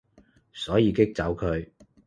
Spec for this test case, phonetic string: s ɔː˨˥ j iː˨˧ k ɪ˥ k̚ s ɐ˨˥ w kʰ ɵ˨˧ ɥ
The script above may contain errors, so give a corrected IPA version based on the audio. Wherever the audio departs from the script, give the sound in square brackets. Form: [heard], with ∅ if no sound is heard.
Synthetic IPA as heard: s ɔː˨˥ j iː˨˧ k ɪ˥ k̚ [t͡s] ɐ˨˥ w kʰ ɵ˨˧ ɥ